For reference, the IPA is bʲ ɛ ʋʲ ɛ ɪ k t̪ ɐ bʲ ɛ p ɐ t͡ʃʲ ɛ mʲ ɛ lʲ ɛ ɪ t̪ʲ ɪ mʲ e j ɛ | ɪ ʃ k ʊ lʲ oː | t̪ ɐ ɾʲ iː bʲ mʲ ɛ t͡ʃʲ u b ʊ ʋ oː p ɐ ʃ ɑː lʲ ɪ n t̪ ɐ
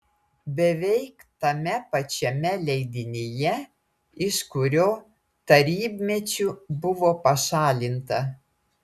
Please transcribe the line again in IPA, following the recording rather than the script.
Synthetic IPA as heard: bʲ ɛ ʋʲ ɛ ɪ k t̪ ɐ mʲ ɛ p ɐ t͡ʃʲ ɛ mʲ ɛ lʲ ɛ ɪ d̪ʲ ɪ nʲ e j ɛ | ɪ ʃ k ʊ ɾʲ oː | t̪ ɐ ɾʲ iː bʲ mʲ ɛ t͡ʃʲ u b ʊ ʋ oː p ɐ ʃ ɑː lʲ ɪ n t̪ ɐ

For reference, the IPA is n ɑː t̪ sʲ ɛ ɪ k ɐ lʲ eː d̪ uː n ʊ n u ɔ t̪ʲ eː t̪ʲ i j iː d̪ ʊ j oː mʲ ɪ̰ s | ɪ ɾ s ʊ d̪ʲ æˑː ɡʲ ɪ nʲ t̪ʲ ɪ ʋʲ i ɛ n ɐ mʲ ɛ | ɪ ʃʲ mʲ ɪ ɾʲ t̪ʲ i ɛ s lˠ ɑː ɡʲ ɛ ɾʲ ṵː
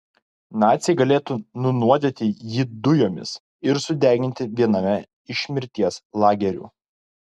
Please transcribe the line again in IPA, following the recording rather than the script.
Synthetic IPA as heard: n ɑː t̪ sʲ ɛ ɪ ɡ ɐ lʲ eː t̪ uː n ʊ n u ɔ d̪ʲ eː t̪ʲ ɪ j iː d̪ ʊ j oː mʲ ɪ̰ s | ɪ ɾ s ʊ d̪ʲ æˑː ɡʲ ɪ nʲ t̪ʲ ɪ ʋʲ i ɛ n ɐ mʲ ɛ | ɪ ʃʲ mʲ ɪ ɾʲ t̪ʲ i ɛ s lˠ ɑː ɡʲ ɛ ɾʲ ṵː

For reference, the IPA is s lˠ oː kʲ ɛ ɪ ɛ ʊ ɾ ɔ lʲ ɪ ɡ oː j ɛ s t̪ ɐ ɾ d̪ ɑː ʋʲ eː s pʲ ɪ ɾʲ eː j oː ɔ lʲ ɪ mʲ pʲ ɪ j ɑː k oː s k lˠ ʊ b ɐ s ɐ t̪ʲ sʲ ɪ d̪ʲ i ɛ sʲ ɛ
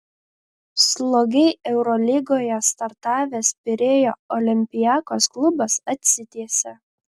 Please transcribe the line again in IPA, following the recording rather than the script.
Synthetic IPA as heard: s lˠ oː ɡʲ ɛ ɪ ɛ ʊ ɾ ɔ lʲ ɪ ɡ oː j ɛ s t̪ ɐ ɾ t̪ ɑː ʋʲ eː s pʲ ɪ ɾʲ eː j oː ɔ lʲ ɪ mʲ pʲ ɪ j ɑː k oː s k lˠ ʊ b ɐ s ɐ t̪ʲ sʲ ɪ t̪ʲ i ɛ sʲ ɛ

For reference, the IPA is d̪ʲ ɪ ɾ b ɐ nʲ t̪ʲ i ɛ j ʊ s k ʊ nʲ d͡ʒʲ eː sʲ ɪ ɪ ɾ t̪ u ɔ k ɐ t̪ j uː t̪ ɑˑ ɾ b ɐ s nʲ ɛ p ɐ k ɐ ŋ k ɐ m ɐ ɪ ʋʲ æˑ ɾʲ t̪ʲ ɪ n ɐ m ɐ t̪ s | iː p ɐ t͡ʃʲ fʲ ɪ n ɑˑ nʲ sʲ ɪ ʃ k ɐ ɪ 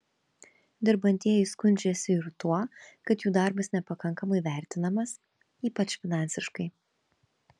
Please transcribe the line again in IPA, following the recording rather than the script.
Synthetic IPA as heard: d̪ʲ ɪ ɾ b ɐ nʲ t̪ʲ i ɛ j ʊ s k ʊ nʲ d͡ʒʲ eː sʲ ɪ ɪ ɾ t̪ u ɔ k ɐ t̪ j uː d̪ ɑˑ ɾ b ɐ s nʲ ɛ p ɐ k ɐ ŋ k ɐ m ɐ ɪ ʋʲ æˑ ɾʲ t̪ʲ ɪ n ɐ m ɐ s | iː p ɐ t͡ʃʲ fʲ ɪ n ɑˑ nʲ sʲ ɪ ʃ k ɐ ɪ

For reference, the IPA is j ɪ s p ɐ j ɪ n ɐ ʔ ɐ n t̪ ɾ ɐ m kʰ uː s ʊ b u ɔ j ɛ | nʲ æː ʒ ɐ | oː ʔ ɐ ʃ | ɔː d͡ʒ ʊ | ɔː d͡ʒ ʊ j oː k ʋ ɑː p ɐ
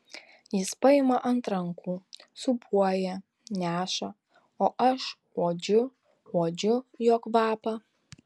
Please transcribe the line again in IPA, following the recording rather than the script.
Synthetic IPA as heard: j ɪ s p ɐ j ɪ m ɐ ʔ ɐ n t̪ ɾ ɐ ŋ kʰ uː s ʊ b u ɔ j ɛ | nʲ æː ʃ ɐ | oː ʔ ɐ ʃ | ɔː d͡ʒ ʊ | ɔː d͡ʒ ʊ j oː k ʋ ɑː p ɐ

